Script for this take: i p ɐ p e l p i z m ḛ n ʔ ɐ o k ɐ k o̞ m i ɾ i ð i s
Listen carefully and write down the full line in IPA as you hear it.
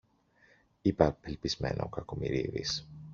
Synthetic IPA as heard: i p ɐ p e l p i z m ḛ n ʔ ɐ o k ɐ k o̞ m i ɾ i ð i s